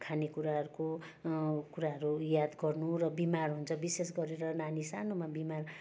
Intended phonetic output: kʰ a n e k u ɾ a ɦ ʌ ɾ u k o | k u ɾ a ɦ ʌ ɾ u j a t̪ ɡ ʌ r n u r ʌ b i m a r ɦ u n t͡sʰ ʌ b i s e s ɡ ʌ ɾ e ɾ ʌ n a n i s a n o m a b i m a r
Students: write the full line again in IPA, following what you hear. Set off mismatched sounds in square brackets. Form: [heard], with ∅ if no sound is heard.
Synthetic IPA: kʰ a n e k u ɾ a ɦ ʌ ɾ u k o | k u ɾ a ɦ ʌ ɾ u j a [d̪] ɡ ʌ r n u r ʌ b i m a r ɦ u n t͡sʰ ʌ b i s e s ɡ ʌ ɾ e ɾ ʌ n a n i s a n o m a b i m a r

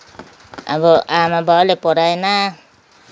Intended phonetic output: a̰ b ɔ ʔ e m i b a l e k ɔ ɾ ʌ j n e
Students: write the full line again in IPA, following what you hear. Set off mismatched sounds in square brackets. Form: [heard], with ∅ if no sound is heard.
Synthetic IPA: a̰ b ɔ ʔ [a] m [a] b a l e [p] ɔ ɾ [a] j n [a]

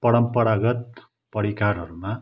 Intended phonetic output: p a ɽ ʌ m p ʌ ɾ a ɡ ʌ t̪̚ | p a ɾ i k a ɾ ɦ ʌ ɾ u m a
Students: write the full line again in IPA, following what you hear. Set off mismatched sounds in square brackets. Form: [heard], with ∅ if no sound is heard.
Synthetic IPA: p [ʌ] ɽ ʌ m p ʌ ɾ a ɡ ʌ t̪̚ | p [ʌ] ɾ i k a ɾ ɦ ʌ ɾ u m a

